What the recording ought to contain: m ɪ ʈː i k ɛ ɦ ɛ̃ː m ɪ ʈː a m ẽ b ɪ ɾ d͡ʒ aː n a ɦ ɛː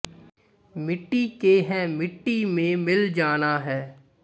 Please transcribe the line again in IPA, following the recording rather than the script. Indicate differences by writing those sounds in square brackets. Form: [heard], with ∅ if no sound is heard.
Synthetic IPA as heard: m ɪ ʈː i k [e] ɦ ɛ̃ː m ɪ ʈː [i] m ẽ [m] ɪ [l] d͡ʒ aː n a ɦ ɛː